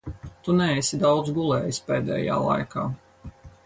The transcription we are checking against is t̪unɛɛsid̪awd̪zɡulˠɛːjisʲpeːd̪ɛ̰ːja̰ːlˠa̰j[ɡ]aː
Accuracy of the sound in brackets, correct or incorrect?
incorrect